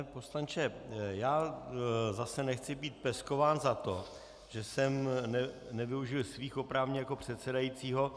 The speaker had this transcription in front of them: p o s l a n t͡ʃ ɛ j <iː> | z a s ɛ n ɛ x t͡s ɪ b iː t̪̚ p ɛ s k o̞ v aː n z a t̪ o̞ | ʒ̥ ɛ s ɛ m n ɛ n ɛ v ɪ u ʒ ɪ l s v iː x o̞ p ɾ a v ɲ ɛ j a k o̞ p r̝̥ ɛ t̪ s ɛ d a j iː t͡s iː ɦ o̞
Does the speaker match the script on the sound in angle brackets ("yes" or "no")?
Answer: no